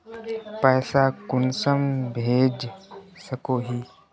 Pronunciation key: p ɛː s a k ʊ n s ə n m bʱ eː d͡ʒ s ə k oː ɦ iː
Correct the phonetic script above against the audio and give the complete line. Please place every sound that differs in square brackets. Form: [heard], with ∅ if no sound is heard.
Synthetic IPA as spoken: p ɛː s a k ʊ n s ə [∅] m bʱ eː d͡ʒ s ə k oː ɦ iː